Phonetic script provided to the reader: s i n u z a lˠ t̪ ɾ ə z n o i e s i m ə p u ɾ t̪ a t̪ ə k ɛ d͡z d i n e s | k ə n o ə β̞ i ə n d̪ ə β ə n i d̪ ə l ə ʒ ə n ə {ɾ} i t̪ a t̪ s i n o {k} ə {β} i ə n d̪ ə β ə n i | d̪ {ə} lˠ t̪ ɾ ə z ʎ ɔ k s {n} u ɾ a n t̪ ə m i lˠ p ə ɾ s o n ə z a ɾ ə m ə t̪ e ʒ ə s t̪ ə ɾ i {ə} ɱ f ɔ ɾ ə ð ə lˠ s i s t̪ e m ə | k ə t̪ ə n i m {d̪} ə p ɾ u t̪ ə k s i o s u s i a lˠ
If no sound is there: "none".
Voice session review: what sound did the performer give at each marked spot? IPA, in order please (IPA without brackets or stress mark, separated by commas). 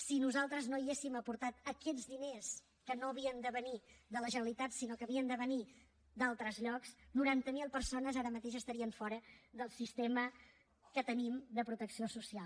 l, k, β, a, n, ə, d̪